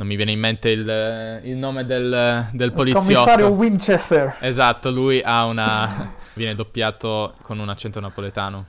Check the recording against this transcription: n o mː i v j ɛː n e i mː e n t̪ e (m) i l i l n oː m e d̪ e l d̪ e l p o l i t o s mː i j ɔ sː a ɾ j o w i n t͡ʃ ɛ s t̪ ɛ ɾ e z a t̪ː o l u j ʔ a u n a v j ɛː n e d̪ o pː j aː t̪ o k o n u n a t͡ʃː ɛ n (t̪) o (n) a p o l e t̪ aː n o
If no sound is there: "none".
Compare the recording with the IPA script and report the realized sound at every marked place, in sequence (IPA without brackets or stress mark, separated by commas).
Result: none, t̪, n